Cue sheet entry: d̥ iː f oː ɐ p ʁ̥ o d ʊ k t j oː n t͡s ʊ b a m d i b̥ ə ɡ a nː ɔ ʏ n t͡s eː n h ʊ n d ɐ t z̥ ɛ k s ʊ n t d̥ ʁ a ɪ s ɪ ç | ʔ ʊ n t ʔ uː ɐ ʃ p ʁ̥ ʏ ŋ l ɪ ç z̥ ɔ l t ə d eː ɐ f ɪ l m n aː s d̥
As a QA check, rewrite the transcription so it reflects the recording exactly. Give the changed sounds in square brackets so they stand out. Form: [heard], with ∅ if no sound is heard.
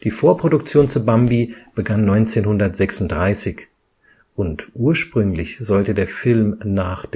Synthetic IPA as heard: d̥ iː f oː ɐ p ʁ̥ o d ʊ k [t͡s] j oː n t͡s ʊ b a m [b] i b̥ ə ɡ a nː ɔ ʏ n t͡s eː n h ʊ n d ɐ t z̥ ɛ k s ʊ n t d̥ ʁ a ɪ s ɪ ç | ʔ ʊ n t ʔ uː ɐ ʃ p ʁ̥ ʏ ŋ l ɪ ç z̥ ɔ l t ə d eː ɐ f ɪ l m n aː [χ] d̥